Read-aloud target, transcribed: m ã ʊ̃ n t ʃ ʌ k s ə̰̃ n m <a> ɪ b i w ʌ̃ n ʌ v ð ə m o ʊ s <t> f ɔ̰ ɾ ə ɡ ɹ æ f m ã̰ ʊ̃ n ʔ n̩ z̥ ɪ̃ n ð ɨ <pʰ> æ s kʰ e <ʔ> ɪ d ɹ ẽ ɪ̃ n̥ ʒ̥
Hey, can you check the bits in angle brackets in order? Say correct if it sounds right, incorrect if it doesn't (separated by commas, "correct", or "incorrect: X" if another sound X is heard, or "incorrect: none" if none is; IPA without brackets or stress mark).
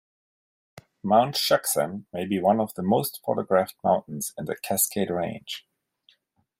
incorrect: e, correct, incorrect: kʰ, incorrect: none